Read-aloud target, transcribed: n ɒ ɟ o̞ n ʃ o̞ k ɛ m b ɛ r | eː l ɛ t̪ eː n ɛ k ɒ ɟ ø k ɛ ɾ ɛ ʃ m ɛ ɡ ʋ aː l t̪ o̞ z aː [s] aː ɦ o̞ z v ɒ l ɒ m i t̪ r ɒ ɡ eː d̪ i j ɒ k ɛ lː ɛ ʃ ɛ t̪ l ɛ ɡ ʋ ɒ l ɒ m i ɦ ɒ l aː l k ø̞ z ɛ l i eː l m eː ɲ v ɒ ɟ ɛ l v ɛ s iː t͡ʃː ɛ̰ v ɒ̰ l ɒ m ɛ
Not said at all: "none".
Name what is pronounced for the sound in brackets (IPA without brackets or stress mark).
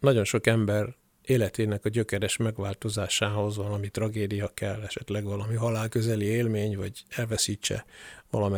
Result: ʃ